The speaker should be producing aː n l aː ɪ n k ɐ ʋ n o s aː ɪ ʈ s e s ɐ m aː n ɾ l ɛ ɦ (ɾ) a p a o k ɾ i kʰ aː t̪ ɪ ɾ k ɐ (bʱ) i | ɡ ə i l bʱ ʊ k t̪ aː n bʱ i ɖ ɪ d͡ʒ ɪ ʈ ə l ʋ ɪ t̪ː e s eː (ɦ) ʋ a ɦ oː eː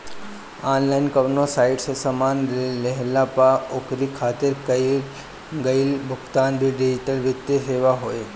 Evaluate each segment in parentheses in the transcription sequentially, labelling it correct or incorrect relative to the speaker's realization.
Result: incorrect: l, incorrect: none, incorrect: none

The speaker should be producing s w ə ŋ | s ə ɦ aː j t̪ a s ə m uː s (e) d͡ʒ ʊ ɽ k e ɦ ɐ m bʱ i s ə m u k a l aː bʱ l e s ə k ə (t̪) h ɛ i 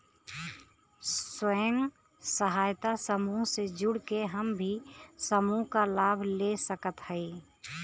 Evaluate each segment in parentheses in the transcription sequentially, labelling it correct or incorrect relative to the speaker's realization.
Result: correct, correct

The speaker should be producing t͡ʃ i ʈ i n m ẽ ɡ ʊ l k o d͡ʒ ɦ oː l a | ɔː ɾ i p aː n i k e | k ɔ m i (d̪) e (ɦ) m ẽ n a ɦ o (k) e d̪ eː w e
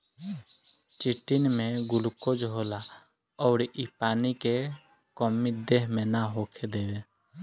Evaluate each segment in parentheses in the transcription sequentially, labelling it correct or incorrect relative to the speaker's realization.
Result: correct, correct, incorrect: kʰ

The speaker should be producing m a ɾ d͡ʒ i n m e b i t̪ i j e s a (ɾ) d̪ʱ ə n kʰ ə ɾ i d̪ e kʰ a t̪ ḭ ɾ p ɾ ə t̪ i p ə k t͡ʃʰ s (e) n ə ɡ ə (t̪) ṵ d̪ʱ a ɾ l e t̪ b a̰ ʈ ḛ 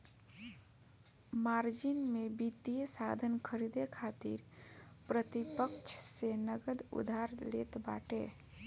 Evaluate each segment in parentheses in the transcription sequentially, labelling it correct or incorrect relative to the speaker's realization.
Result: incorrect: none, correct, incorrect: d̪

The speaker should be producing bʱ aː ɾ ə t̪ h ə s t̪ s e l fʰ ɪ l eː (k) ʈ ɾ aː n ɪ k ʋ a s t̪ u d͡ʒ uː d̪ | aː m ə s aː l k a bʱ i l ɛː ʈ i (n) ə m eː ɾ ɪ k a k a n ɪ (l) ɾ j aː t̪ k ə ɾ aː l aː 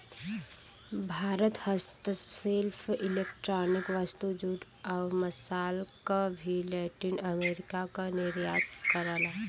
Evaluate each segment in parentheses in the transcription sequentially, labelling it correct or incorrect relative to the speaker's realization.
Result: correct, correct, incorrect: none

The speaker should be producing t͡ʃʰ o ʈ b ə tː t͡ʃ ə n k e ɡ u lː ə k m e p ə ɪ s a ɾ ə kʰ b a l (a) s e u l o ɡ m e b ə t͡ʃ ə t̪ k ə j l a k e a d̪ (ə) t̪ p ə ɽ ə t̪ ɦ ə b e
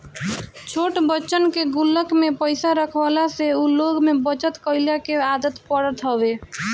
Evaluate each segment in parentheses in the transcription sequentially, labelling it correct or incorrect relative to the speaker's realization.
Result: correct, correct

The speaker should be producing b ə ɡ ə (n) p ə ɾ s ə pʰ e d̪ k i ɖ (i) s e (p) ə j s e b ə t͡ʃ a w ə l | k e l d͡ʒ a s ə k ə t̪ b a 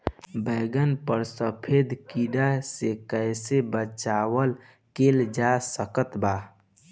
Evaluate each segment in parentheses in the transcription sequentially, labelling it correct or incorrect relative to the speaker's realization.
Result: correct, incorrect: a, incorrect: k

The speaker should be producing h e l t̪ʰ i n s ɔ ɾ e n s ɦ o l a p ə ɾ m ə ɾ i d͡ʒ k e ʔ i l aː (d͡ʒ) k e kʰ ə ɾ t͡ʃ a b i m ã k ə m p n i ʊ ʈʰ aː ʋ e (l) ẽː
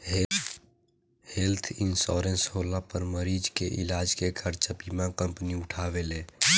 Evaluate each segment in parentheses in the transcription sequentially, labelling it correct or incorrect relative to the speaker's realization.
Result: correct, correct

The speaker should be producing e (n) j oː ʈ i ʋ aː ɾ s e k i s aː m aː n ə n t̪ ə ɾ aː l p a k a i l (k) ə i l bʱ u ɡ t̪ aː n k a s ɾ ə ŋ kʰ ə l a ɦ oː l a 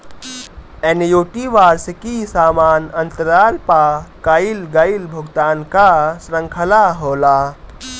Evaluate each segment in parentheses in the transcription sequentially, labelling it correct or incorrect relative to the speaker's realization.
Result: correct, incorrect: ɡ

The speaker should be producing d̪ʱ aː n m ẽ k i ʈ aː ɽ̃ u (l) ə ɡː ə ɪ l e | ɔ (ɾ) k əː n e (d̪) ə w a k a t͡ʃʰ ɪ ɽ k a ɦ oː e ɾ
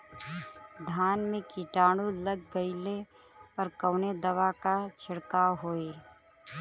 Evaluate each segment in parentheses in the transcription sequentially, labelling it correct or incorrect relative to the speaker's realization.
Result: correct, correct, correct

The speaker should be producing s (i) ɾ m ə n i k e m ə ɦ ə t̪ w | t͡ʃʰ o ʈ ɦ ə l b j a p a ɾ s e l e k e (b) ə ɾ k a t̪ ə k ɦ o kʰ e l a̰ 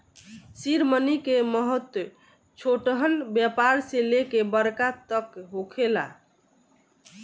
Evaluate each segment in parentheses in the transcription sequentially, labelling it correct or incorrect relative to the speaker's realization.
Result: correct, correct

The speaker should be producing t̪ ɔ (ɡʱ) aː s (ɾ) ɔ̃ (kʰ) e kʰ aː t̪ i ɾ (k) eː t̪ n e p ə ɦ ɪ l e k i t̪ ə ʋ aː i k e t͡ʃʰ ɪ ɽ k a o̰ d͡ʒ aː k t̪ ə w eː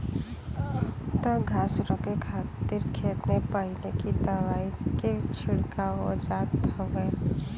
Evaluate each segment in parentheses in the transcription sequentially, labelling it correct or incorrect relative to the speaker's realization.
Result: correct, correct, incorrect: k, incorrect: kʰ

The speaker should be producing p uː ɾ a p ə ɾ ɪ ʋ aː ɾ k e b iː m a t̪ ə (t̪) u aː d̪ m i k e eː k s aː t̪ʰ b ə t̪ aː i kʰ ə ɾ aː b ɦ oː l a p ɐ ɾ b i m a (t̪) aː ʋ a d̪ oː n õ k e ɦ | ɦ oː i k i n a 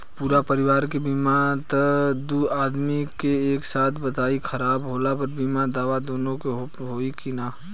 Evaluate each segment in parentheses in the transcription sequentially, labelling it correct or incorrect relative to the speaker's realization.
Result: incorrect: d̪, incorrect: d̪

